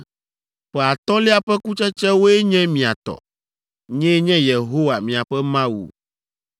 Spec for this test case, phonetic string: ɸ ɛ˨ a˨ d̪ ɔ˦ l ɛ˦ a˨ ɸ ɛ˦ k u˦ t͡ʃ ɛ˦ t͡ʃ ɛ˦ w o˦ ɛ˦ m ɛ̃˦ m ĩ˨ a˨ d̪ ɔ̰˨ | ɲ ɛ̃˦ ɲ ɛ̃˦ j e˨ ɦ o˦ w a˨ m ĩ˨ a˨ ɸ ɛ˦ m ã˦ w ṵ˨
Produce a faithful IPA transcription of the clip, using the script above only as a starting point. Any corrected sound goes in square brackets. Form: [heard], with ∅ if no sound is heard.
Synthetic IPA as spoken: ɸ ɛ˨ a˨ [t̪] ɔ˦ l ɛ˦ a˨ ɸ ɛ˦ k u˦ t͡ʃ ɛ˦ t͡ʃ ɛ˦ w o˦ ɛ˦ [ɲ] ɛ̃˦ m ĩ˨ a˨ [t̪] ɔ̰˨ | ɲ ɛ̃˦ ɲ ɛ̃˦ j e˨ ɦ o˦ w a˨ m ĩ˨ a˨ ɸ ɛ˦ m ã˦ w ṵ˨

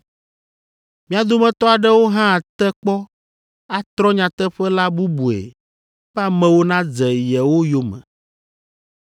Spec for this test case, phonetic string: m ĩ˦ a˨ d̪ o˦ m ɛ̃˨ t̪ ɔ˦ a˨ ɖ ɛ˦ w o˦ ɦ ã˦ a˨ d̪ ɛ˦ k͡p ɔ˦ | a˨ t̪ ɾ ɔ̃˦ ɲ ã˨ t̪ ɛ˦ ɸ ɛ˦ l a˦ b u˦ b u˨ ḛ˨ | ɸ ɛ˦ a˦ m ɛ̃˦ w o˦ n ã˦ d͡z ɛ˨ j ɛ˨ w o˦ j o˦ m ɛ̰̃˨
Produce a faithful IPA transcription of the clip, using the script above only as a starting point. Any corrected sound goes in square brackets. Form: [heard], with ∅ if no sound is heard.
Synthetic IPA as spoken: m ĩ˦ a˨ d̪ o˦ m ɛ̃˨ t̪ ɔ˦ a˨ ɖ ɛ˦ w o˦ ɦ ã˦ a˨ [t̪] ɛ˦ k͡p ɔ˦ | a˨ t̪ ɾ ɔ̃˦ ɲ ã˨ t̪ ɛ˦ ɸ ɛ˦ l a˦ b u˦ b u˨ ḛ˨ | ɸ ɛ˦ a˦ m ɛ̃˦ w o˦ n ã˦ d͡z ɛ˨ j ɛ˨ w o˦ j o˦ m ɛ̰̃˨

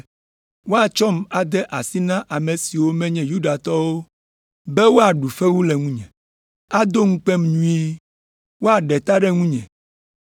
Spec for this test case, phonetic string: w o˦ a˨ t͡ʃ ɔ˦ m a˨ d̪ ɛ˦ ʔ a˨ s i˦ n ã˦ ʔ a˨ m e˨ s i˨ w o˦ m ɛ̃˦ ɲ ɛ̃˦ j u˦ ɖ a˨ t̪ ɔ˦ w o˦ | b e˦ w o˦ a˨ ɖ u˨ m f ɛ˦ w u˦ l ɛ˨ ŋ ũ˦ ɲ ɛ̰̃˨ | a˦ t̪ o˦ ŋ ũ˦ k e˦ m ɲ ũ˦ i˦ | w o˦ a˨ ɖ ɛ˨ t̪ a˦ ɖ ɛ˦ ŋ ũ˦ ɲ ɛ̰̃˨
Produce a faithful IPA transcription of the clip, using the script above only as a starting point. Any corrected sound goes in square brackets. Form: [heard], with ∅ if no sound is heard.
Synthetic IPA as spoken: w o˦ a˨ t͡ʃ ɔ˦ m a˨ d̪ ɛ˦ ʔ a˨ s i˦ n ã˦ ʔ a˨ m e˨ s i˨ w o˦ m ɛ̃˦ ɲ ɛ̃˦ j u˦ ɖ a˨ t̪ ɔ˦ w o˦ | b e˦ w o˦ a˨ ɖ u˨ [∅] f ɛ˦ w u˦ l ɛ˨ ŋ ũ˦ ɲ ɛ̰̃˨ | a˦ [d̪] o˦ ŋ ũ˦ [k͡p] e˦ m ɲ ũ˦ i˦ | w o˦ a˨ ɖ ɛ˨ t̪ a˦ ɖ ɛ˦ ŋ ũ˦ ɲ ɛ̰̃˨

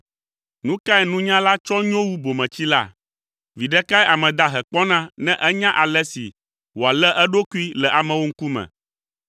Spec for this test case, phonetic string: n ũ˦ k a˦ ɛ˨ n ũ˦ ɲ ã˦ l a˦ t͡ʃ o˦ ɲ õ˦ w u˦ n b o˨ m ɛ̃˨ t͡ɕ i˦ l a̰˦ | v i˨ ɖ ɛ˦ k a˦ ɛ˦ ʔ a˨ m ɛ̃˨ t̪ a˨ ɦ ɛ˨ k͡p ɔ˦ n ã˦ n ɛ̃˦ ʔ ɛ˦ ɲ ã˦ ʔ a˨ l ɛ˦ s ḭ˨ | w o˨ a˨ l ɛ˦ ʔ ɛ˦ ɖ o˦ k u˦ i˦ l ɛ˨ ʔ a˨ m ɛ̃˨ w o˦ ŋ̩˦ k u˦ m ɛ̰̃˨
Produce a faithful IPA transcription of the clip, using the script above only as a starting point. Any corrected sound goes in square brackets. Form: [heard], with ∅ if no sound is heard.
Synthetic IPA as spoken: n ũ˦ k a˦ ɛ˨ n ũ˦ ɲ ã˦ l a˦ t͡ʃ [ɔ˦] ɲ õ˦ w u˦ [∅] b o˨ m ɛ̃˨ t͡ɕ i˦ l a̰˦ | v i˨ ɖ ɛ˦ k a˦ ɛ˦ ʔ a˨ m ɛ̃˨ [d̪] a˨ ɦ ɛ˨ k͡p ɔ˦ n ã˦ n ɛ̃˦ ʔ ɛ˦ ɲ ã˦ ʔ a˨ l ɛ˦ s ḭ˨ | w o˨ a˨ l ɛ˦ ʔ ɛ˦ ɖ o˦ k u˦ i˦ l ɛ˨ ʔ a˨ m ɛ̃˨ w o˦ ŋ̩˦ k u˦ m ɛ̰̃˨

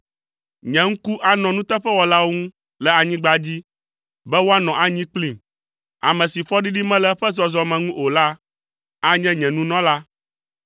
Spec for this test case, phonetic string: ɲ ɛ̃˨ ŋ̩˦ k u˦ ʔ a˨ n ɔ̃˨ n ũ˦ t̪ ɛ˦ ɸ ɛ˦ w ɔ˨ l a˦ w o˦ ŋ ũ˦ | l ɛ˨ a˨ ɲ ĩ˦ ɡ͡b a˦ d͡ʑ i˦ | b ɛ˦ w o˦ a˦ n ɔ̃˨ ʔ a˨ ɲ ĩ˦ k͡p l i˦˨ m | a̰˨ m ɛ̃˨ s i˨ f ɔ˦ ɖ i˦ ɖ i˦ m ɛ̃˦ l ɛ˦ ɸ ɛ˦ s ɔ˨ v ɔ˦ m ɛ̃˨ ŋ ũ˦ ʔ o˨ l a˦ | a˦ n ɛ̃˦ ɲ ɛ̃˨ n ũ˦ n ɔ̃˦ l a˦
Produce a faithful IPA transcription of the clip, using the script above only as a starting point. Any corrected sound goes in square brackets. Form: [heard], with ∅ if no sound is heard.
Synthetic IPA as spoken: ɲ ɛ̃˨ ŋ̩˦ k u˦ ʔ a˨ n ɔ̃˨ n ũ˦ t̪ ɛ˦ ɸ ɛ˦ w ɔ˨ l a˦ w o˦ ŋ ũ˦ | l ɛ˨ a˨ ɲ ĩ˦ ɡ͡b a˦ d͡ʑ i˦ | b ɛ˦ w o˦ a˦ n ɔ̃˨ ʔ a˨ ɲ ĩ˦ k͡p l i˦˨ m | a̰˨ m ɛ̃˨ s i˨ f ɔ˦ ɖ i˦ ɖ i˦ m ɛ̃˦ l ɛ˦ ɸ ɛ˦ [z] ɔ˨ [z] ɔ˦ m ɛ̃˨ ŋ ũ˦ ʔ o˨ l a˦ | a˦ [ɲ] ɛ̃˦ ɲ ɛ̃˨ n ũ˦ n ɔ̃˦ l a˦

